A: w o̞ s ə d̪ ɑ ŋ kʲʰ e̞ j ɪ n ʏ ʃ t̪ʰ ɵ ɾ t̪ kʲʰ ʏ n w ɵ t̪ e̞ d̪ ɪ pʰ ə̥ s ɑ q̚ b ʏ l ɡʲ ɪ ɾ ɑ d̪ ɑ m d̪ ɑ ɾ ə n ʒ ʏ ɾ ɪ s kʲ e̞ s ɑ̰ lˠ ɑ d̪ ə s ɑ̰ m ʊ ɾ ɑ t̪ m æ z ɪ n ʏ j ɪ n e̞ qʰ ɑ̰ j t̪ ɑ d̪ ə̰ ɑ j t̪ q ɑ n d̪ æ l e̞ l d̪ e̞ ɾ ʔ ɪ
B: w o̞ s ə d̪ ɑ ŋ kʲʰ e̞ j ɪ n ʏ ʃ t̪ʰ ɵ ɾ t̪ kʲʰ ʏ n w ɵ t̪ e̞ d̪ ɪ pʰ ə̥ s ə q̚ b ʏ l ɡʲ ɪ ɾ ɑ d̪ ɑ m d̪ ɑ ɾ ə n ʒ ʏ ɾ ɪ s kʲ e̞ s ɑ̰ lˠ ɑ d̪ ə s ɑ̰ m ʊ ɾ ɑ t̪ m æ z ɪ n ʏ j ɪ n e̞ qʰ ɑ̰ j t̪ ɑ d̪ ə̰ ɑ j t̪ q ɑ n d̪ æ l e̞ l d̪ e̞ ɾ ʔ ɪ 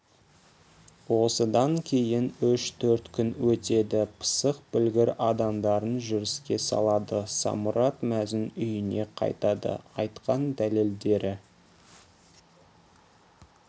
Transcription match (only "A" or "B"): B